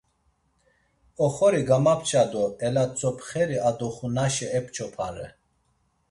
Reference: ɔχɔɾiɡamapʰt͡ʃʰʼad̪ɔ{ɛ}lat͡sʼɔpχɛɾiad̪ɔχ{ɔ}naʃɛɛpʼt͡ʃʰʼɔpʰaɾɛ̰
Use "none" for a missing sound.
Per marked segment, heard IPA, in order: ɛ, u

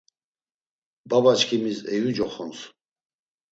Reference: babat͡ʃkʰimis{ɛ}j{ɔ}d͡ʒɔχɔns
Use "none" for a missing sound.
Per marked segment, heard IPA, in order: ɛ, u

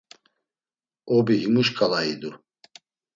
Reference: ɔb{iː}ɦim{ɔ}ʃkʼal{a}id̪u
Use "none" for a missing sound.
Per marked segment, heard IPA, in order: i, u, a

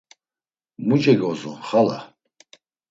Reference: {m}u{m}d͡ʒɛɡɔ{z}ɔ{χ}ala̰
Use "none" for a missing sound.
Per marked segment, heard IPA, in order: m, none, z, χ

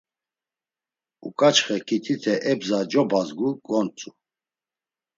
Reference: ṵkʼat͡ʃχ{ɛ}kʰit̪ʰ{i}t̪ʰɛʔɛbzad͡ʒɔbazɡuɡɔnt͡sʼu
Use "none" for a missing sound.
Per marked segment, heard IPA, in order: ɛ, i

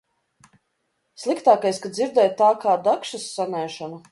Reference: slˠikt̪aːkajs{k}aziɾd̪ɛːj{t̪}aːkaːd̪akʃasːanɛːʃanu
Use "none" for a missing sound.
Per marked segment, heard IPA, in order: k, t̪

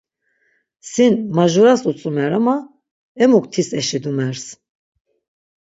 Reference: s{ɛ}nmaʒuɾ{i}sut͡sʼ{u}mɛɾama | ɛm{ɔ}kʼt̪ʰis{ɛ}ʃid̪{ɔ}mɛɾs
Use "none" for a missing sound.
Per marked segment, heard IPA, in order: i, a, u, u, ɛ, u

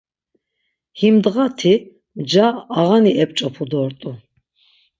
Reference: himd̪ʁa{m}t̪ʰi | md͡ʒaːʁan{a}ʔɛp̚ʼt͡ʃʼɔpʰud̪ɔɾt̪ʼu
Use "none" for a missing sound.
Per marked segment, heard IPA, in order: none, i

